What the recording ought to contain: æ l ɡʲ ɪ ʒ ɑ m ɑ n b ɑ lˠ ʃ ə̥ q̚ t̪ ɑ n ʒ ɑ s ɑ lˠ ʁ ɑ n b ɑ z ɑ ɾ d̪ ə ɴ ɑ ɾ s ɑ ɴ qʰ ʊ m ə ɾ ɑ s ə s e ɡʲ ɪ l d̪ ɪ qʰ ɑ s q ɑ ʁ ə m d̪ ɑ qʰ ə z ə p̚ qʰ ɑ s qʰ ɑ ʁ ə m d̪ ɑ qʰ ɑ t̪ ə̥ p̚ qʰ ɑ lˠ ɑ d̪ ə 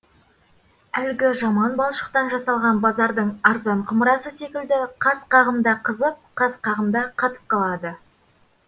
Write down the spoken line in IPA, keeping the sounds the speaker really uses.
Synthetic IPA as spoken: æ l ɡʲ ɪ ʒ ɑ m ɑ n b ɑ lˠ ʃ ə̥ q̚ t̪ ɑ n ʒ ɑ s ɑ lˠ ʁ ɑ n b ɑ z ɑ ɾ d̪ ə ɴ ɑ ɾ z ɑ ɴ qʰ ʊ m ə ɾ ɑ s ə s e kʲ ɪ l d̪ ɪ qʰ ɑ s q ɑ ʁ ə m d̪ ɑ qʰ ə z ə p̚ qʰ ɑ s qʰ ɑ ʁ ə m d̪ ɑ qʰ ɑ t̪ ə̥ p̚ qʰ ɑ lˠ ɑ d̪ ə

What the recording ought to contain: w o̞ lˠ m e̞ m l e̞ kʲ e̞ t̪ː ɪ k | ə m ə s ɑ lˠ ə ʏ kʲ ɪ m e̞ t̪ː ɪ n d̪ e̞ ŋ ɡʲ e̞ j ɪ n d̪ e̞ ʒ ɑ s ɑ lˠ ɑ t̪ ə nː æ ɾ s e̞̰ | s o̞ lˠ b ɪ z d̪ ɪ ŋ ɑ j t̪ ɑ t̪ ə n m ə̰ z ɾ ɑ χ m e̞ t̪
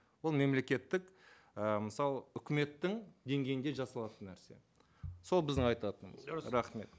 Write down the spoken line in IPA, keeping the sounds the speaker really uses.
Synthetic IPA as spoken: w o̞ lˠ m e̞ m l e̞ kʲ e̞ t̪ː ɪ k | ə m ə s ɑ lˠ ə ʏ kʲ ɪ m e̞ t̪ː ɪ ŋ d̪ e̞ ŋ ɡʲ e̞ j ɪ n d̪ e̞ ʒ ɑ s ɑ lˠ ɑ t̪ ə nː æ ɾ s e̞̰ | s o̞ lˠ b ɪ z d̪ ɪ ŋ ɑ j t̪ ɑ t̪ ə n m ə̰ z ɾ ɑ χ m e̞ t̪

